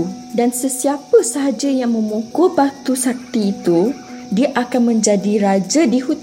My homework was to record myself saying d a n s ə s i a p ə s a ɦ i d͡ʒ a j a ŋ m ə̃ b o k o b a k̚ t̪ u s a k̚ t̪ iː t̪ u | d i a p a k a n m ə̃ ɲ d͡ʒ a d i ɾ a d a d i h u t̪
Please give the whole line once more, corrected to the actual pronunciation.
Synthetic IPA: d a n s ə s i a p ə s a ɦ a d͡ʒ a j a ŋ m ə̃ m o k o b a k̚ t̪ u s a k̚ t̪ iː t̪ u | d i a ʔ a k a n m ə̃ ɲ d͡ʒ a d i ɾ a d͡ʒ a d i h u t̪